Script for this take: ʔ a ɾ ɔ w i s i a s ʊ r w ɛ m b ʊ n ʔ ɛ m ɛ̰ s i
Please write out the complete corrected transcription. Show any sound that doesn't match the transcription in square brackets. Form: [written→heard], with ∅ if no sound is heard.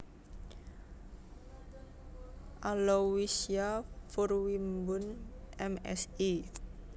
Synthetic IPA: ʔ a [ɾ→l] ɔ w i s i a [s→f] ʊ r w [ɛ→i] m b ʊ n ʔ ɛ m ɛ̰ s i